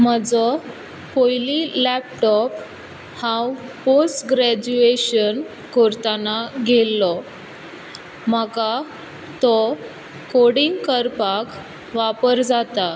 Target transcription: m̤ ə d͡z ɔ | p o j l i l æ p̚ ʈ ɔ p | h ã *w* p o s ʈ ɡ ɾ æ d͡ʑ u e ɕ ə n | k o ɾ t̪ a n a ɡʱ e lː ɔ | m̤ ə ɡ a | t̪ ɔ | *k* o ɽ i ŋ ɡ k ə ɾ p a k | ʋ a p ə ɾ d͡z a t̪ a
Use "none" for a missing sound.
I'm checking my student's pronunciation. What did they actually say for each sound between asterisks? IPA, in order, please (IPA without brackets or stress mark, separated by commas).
w, k